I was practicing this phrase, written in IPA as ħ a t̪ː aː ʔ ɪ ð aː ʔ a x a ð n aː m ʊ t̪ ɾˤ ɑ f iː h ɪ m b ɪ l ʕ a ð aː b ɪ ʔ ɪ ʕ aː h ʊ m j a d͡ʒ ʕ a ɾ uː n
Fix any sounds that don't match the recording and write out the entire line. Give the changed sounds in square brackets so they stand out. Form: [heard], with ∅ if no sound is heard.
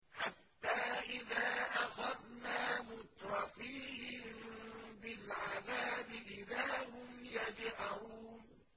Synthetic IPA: ħ a t̪ː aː ʔ ɪ ð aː ʔ a x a ð n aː m ʊ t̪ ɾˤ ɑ f iː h ɪ m b ɪ l ʕ a ð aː b ɪ ʔ ɪ [ð] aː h ʊ m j a d͡ʒ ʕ a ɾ uː n

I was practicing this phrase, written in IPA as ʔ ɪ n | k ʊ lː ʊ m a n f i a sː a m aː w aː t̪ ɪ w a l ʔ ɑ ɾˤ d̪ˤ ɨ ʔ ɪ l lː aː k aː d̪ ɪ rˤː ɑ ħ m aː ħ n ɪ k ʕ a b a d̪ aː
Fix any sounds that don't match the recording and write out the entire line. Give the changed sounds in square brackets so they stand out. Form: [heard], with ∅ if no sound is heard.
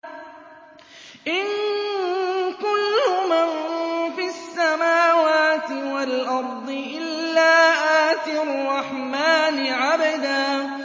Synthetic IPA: ʔ ɪ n | k ʊ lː ʊ m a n f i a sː a m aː w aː t̪ ɪ w a l ʔ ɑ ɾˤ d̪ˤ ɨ ʔ ɪ l lː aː [ʔ] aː [t̪] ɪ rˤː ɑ ħ m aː [∅] n ɪ [∅] ʕ a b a d̪ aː

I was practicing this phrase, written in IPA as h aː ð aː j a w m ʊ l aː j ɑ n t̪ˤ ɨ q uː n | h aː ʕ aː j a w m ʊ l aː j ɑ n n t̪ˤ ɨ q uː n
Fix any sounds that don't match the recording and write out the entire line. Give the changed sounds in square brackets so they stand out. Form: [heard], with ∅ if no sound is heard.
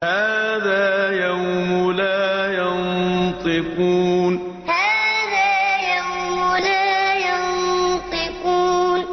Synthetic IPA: h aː ð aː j a w m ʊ l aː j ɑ n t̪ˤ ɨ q uː n | h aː [ð] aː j a w m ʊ l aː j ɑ n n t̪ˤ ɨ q uː n

